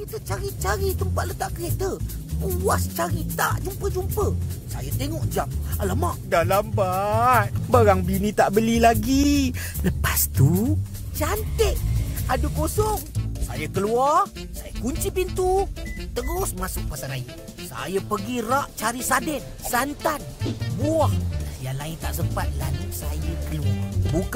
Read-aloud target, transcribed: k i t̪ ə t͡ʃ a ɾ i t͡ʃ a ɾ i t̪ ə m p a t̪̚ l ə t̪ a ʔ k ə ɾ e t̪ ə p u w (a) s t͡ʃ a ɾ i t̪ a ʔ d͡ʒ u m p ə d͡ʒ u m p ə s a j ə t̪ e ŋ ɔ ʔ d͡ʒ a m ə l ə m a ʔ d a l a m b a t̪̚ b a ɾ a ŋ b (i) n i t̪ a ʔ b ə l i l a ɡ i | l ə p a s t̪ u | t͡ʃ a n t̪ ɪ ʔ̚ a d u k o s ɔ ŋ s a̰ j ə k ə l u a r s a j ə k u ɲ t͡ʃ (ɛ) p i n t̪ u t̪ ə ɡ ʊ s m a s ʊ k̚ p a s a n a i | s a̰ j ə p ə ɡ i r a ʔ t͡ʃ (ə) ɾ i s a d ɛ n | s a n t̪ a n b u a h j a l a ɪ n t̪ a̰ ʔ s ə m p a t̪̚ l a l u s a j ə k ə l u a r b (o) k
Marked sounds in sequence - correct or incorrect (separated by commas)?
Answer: correct, correct, incorrect, incorrect, incorrect